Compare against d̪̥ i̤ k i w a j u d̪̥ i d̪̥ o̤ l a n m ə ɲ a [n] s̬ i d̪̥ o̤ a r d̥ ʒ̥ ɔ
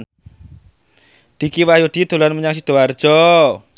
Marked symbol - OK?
no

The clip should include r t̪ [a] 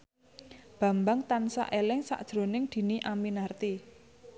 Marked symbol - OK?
no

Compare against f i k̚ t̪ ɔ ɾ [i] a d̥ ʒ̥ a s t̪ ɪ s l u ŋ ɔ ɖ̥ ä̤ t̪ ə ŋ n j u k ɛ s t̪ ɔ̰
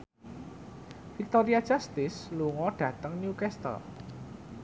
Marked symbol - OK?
yes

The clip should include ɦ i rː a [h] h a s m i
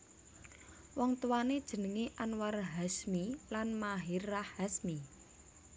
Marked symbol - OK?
yes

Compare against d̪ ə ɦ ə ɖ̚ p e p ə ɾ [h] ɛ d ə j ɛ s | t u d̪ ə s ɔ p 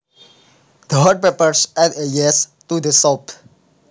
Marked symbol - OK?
no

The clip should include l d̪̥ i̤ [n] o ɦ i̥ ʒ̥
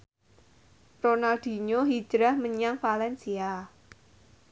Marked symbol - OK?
no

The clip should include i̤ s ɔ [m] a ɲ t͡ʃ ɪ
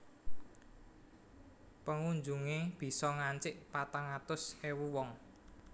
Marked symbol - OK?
no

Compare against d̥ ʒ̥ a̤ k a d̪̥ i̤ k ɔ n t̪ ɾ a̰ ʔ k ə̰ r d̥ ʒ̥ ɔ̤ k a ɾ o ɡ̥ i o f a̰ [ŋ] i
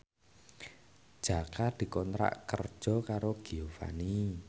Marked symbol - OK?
no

